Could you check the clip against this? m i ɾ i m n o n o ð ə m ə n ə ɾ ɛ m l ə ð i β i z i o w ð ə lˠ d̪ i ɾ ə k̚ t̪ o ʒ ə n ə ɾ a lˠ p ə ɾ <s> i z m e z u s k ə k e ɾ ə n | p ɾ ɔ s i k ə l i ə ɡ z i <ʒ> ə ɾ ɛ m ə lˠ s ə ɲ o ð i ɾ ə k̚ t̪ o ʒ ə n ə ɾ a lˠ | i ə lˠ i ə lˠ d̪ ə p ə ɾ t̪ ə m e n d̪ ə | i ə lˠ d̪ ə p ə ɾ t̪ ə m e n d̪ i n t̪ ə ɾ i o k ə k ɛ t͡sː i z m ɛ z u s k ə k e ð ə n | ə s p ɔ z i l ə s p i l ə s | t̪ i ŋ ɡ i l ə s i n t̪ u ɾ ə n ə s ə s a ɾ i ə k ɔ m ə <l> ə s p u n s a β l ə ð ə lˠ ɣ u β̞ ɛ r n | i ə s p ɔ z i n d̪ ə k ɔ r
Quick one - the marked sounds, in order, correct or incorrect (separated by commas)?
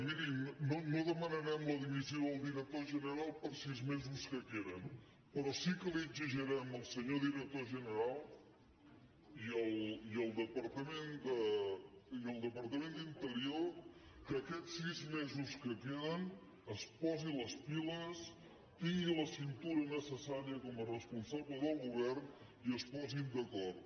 correct, correct, incorrect